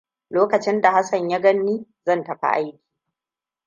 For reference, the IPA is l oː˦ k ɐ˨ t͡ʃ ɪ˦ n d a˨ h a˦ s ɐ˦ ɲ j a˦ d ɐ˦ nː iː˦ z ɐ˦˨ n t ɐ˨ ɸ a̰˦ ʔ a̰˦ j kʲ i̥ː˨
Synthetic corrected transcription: l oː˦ k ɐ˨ t͡ʃ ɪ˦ n d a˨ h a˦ s ɐ˨ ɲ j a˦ ɡ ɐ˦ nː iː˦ z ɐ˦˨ n t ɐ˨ ɸ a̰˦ ʔ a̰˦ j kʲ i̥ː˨